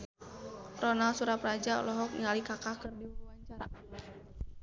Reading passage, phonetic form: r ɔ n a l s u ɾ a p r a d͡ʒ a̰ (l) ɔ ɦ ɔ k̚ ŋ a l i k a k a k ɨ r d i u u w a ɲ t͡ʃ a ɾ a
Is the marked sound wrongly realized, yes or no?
no